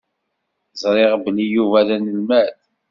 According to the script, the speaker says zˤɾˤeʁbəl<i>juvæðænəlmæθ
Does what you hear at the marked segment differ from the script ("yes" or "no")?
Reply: no